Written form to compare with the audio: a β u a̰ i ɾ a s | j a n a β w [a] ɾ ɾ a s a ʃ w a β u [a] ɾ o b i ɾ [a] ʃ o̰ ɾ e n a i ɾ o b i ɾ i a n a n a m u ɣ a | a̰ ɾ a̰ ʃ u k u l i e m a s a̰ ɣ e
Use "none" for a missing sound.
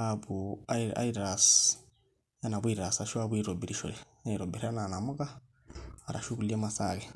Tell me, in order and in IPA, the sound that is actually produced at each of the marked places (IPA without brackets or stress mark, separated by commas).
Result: i, i, i